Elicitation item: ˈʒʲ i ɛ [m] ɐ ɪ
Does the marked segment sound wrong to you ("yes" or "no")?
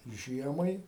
no